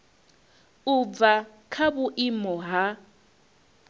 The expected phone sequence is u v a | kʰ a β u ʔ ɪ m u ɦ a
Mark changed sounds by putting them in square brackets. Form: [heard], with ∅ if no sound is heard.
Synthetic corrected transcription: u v a | kʰ a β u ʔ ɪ m [ɔ] ɦ a